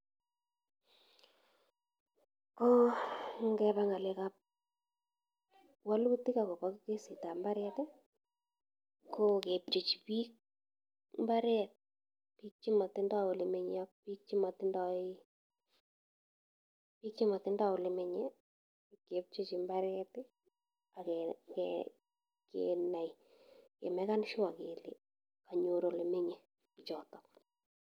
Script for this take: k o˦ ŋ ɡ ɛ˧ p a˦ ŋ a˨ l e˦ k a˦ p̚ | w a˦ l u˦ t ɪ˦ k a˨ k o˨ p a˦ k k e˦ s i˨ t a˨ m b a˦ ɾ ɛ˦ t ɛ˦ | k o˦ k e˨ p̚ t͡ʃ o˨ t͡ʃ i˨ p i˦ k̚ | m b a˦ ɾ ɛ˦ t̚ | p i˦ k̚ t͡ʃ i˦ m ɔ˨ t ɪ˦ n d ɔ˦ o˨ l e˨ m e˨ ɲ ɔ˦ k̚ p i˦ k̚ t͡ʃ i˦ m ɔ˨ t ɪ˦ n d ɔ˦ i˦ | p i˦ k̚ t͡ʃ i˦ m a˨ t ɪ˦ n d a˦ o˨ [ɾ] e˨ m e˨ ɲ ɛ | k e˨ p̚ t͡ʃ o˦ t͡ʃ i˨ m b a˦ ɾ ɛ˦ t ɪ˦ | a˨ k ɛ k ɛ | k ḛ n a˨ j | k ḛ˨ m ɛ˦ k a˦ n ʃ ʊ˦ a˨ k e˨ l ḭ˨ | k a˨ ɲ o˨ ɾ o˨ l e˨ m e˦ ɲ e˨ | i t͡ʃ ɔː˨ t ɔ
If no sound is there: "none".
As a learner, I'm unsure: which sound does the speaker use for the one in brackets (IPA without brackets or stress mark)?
l